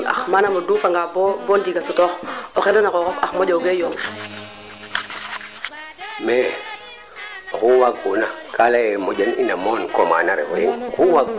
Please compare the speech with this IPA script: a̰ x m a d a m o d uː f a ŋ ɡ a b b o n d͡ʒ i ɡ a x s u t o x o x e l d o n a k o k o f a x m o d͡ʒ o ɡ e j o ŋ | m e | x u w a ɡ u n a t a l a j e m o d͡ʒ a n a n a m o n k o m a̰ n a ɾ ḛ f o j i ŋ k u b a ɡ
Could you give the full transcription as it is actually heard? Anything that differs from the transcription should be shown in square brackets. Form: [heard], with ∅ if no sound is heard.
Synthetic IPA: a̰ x m a [n] a m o d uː f a ŋ ɡ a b b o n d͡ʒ i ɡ a [∅] s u t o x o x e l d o n a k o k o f a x m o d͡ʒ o ɡ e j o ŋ | m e | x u w a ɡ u n a [k] a l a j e m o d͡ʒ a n [i] n a m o n k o m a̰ n a ɾ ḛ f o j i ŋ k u [w] a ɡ